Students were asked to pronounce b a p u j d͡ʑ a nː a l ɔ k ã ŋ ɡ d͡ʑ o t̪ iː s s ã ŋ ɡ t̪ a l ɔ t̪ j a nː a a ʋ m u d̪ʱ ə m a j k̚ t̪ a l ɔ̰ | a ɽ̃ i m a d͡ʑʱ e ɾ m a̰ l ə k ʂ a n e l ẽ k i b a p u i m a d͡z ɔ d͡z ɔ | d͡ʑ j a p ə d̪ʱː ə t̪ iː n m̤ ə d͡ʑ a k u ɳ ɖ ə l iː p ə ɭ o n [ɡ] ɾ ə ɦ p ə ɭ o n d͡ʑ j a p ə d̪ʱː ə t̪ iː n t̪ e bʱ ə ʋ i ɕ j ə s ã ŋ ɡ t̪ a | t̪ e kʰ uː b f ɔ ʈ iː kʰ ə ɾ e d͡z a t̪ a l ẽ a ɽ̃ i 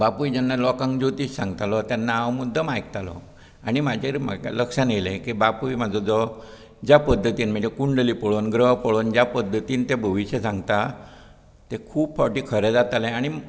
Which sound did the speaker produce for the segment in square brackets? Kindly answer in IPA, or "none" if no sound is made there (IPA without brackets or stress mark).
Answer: ɡ